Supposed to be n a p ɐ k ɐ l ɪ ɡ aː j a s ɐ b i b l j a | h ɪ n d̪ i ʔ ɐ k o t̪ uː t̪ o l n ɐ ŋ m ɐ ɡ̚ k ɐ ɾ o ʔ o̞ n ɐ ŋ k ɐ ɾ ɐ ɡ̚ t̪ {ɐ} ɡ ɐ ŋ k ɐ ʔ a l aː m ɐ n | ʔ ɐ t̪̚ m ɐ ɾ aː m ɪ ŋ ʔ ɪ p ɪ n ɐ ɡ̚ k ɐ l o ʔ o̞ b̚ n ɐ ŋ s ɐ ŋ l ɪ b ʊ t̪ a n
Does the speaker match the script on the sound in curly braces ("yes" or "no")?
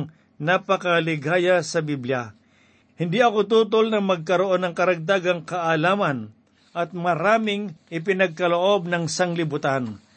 no